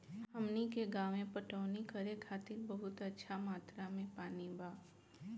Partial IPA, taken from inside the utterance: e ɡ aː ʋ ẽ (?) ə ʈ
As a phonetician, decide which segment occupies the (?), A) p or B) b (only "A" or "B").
A